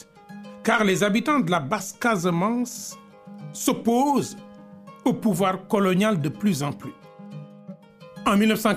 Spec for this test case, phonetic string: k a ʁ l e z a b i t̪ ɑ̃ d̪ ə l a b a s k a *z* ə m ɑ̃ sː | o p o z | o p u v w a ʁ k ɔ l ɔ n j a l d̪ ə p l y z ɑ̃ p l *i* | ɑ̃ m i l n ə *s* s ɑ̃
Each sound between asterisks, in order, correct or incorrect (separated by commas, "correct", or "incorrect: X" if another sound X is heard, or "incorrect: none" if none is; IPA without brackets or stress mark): correct, incorrect: y, incorrect: f